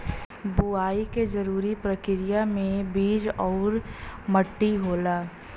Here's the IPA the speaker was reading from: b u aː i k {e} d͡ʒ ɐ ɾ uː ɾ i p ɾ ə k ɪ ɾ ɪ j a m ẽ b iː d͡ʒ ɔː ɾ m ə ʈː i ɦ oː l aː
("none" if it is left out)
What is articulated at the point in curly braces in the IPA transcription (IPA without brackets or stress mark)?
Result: e